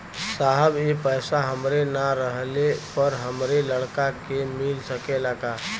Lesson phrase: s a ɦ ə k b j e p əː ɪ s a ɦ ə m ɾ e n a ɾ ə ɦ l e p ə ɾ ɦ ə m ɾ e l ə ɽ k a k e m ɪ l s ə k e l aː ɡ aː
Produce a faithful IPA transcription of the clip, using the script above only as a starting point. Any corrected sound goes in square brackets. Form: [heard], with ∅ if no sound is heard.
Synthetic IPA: s a ɦ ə [∅] b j e p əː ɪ s a ɦ ə m ɾ e n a ɾ ə ɦ l e p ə ɾ ɦ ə m ɾ e l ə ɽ k a k e m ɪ l s ə k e l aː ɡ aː